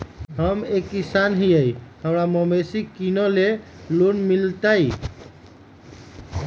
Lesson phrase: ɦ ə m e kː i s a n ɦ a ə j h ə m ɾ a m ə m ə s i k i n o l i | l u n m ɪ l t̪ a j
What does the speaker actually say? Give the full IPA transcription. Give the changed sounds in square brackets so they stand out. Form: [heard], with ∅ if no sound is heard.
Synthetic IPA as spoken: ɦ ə m e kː i s a n ɦ [i] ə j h ə m ɾ a m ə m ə s i k i n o l [e] | l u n m [i] l t̪ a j